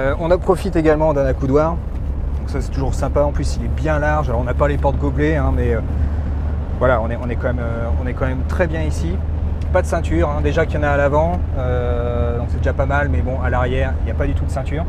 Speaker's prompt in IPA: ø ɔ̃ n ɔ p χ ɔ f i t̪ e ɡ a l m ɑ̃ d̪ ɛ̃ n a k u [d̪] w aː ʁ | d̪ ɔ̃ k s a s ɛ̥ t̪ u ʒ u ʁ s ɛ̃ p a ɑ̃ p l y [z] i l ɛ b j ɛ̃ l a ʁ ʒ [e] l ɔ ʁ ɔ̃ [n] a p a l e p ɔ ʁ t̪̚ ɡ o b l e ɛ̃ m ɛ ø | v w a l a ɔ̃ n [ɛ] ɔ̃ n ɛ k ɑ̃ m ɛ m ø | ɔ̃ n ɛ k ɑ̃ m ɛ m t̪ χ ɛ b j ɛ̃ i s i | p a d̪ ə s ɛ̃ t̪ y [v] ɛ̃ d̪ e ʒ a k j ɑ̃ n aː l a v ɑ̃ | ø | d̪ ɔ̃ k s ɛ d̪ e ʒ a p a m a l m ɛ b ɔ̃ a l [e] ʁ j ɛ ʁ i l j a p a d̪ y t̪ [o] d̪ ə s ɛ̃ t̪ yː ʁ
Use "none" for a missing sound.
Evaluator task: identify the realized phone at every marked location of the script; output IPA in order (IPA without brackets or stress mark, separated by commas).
d̪, s, a, n, ɛ, ʁ, a, u